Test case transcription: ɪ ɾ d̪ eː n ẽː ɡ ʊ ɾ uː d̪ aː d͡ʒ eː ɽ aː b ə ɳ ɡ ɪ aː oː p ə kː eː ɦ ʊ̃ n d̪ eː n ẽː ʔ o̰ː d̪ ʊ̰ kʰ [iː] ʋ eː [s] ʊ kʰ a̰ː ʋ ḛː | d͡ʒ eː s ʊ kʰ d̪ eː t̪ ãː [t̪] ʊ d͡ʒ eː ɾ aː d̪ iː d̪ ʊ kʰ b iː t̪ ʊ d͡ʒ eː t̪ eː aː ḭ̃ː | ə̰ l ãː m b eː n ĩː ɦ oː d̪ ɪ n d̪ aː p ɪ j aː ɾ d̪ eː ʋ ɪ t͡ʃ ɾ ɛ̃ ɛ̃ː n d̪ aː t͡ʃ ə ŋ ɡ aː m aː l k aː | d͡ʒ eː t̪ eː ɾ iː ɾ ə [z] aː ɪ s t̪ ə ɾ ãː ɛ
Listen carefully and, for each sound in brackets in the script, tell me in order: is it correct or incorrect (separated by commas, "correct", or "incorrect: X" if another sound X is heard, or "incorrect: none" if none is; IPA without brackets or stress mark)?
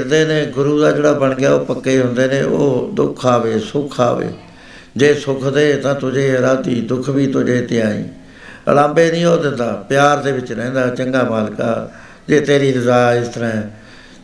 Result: incorrect: aː, correct, correct, correct